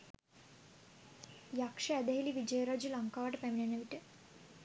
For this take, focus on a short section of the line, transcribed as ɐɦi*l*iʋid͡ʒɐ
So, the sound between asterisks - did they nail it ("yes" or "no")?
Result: yes